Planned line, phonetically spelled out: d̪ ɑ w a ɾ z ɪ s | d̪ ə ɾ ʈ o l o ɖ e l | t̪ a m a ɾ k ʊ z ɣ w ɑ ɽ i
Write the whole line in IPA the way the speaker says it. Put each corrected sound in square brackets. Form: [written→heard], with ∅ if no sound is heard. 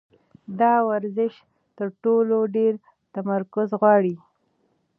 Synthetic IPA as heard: d̪ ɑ w a ɾ z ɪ [s→ʃ] | [d̪→t̪] ə ɾ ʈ o l o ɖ e [l→ɾ] | t̪ a m a ɾ k ʊ z ɣ w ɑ ɽ i